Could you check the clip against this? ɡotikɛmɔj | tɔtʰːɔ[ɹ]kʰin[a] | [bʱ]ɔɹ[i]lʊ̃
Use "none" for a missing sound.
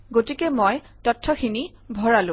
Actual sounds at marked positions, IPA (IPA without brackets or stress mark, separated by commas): none, i, bʱ, a